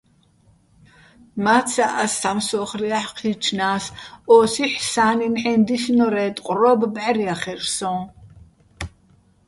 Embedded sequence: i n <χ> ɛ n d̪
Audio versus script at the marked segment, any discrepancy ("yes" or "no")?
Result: yes